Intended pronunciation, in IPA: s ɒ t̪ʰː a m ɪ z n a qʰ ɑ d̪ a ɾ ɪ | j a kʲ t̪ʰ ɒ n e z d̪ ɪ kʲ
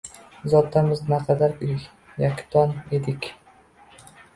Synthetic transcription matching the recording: z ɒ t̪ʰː a m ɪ z n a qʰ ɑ d̪ a ɾ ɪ | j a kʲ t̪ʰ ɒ n e d̪ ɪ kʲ